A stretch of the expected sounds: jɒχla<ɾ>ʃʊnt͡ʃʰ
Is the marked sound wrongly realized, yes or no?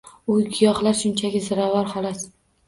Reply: no